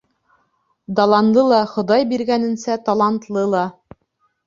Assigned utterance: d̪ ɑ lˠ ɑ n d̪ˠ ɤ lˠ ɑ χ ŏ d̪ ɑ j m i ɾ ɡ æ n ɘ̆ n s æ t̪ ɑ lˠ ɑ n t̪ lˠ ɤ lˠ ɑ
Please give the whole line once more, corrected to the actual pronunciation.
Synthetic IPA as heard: d̪ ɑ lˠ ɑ n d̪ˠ ɤ lˠ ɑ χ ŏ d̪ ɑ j b i ɾ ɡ æ n ɘ̆ n s æ t̪ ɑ lˠ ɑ n t̪ lˠ ɤ lˠ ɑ